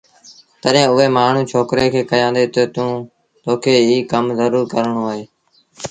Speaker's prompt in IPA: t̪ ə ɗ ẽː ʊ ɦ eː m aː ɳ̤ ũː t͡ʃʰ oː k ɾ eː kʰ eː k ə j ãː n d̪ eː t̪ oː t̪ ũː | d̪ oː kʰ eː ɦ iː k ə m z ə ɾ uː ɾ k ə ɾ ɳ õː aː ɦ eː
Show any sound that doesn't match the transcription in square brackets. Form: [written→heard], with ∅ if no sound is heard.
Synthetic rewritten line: t̪ ə ɗ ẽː ʊ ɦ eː m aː ɳ̤ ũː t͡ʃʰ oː k ɾ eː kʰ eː k ə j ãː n d̪ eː t̪ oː t̪ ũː | [d̪→t̪] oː kʰ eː ɦ iː k ə m z ə ɾ uː ɾ k ə ɾ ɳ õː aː ɦ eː